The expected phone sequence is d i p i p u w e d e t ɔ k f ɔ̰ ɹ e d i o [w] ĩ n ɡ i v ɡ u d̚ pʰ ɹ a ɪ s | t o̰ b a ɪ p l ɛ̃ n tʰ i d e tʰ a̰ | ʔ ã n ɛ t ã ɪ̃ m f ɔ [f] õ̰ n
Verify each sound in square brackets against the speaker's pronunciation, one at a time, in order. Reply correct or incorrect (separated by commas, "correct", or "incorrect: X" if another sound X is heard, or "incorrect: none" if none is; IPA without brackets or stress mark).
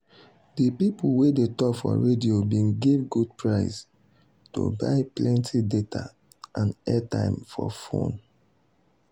incorrect: b, correct